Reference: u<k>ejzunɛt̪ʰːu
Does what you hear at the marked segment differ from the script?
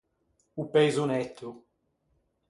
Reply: yes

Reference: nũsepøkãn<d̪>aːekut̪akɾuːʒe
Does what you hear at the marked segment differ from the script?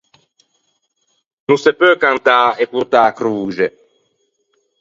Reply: yes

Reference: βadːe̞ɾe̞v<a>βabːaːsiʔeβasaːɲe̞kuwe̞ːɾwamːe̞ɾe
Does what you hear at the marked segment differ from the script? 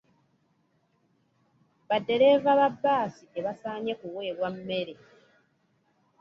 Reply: no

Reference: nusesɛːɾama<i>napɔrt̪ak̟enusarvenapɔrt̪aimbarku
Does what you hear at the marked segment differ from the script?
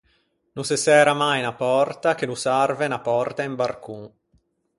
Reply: yes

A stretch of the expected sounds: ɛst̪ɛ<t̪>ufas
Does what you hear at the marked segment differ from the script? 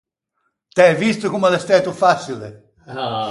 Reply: no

